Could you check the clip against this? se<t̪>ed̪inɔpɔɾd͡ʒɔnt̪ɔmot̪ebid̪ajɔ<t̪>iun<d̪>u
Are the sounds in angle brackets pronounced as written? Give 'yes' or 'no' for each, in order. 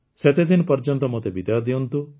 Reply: yes, no, no

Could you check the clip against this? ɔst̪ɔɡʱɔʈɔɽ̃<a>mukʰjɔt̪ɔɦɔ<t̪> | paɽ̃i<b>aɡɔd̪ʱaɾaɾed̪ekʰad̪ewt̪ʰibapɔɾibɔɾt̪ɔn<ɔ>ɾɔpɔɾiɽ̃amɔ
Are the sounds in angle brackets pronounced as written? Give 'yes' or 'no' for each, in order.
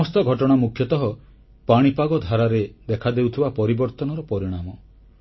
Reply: yes, no, no, yes

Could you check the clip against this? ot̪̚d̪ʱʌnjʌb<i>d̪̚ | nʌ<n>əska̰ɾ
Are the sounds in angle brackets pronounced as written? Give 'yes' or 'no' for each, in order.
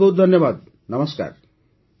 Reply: no, no

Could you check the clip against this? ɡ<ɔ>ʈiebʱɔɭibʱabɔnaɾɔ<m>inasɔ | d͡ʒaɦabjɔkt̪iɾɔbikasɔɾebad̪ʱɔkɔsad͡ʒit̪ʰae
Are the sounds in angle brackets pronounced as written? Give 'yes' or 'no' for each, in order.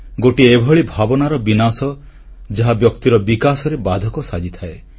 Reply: no, no

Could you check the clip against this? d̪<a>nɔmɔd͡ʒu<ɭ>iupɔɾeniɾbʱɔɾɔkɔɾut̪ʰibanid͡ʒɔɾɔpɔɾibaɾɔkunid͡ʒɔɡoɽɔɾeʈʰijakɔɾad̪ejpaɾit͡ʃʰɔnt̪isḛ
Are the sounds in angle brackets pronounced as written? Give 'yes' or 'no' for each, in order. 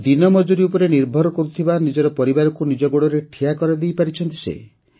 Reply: no, no

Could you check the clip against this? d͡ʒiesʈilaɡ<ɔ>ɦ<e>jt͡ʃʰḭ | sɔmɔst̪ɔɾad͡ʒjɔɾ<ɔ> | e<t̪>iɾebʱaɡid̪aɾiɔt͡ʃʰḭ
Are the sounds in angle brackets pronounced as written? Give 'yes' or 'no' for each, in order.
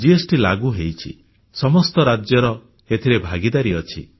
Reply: no, yes, yes, no

